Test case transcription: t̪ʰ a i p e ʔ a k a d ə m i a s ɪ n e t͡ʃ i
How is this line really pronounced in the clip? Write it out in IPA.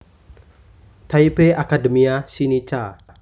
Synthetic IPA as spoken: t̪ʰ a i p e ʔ a k a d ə m i a s i n i t͡ʃ a